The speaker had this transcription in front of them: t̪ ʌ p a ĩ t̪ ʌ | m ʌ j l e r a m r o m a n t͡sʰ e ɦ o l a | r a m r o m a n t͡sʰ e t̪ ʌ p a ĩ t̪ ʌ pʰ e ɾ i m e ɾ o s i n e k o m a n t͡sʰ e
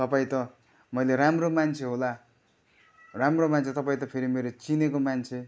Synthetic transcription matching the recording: t̪ ʌ p a ĩ t̪ ʌ | m ʌ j l e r a m r o m a n t͡sʰ e ɦ o l a | r a m r o m a n t͡sʰ e t̪ ʌ p a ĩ t̪ ʌ pʰ e ɾ i m e ɾ o t͡s i n e k o m a n t͡sʰ e